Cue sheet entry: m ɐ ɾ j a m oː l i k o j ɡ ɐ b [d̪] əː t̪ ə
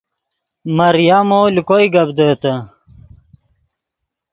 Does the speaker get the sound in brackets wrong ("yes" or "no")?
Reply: no